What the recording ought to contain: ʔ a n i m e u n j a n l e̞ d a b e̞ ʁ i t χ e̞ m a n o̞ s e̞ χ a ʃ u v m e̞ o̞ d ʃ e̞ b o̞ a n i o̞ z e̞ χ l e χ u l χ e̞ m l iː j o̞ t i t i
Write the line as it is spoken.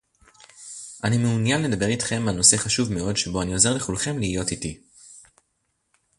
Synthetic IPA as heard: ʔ a n i m e u n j a n l e̞ d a b e̞ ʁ i t χ e̞ m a n o̞ s e̞ χ a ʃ u v m e̞ o̞ d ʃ e̞ b o̞ a n i o̞ z e̞ ʁ l e χ u l χ e̞ m l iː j o̞ t i t i